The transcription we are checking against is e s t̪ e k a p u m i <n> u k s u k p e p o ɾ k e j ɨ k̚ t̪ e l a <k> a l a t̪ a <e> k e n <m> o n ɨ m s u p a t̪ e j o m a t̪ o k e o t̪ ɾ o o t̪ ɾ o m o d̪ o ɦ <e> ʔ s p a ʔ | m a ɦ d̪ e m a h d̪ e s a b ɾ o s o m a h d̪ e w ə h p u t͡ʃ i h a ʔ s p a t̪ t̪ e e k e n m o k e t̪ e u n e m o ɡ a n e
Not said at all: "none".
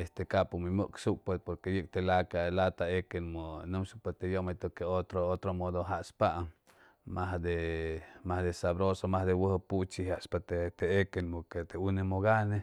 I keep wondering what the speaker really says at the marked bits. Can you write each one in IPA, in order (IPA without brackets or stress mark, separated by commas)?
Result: m, k, e, m, a